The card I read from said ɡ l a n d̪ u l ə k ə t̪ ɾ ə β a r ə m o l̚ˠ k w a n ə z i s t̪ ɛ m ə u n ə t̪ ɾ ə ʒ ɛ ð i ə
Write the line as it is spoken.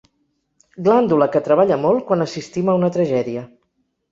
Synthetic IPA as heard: ɡ l a n d̪ u l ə k ə t̪ ɾ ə β a ʎ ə m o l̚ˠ k w a n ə s i s t̪ i m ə u n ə t̪ ɾ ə ʒ ɛ ð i ə